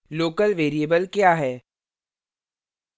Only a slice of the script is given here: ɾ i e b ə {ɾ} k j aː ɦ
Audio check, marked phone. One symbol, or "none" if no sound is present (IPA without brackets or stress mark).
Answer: l